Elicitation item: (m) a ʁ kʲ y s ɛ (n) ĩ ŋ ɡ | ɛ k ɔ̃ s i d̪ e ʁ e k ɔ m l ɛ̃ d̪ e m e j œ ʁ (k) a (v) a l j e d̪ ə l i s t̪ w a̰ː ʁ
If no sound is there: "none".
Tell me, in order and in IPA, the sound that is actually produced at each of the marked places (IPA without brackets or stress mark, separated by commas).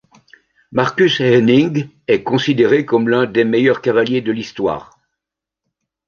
m, n, k, v